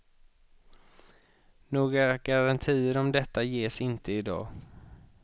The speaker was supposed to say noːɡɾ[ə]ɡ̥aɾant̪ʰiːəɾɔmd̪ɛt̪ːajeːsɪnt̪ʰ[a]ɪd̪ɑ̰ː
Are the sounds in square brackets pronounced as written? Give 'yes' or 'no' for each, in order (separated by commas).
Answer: no, no